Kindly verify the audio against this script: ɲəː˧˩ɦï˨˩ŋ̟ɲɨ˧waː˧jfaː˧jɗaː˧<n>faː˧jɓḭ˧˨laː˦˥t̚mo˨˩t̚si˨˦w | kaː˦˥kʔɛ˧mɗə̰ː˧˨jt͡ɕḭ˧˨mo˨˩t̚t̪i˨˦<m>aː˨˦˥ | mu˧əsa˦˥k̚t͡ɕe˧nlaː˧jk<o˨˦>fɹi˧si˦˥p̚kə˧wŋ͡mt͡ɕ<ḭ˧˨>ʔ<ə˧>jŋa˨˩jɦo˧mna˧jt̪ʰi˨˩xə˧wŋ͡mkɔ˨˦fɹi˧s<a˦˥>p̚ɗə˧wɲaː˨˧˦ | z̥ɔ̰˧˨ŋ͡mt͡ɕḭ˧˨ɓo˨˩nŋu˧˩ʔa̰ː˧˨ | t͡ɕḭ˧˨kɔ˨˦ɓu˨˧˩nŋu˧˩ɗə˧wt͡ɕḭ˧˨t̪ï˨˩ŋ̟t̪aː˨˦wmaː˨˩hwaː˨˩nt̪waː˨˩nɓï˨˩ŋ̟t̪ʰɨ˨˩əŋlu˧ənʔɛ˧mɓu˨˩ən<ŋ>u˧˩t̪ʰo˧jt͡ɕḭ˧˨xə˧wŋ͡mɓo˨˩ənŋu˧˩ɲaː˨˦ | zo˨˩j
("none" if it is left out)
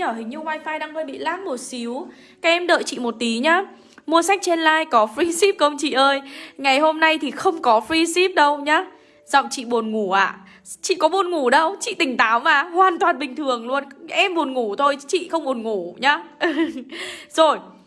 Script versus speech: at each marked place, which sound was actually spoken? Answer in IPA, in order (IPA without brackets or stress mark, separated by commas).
ŋ, ɲ, ɔ˨˦, ḭ˧˨, əː˧, i˦˥, ŋ